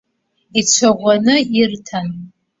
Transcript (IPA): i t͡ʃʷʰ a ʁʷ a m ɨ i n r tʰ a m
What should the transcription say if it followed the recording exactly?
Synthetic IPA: i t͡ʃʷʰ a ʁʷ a n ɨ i r tʰ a n